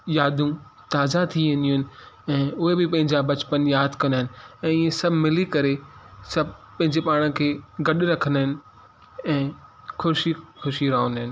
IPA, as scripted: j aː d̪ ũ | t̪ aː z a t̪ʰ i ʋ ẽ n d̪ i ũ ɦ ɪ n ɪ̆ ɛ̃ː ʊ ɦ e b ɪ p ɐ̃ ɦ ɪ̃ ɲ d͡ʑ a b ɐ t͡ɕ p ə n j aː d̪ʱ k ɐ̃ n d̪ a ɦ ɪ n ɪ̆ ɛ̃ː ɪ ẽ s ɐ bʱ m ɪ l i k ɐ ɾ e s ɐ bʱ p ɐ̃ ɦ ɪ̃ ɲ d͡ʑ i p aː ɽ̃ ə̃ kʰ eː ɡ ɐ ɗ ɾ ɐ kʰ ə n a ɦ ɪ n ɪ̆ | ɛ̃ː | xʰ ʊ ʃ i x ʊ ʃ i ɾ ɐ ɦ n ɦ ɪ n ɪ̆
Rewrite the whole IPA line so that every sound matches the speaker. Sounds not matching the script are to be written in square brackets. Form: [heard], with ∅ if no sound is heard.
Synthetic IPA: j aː d̪ ũ | t̪ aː z a t̪ʰ i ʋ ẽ n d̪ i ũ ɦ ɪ n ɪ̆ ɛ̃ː ʊ ɦ e b ɪ p ɐ̃ ɦ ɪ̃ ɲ d͡ʑ a b ɐ t͡ɕ p ə n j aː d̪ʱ k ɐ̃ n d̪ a ɦ ɪ n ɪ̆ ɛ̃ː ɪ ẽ s ɐ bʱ m ɪ l i k ɐ ɾ e s ɐ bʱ p ɐ̃ ɦ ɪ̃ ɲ d͡ʑ [e] p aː ɽ̃ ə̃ kʰ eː ɡ ɐ ɗ ɾ ɐ kʰ ə n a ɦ ɪ n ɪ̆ | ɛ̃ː | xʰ ʊ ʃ i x ʊ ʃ i ɾ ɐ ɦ n ɦ ɪ n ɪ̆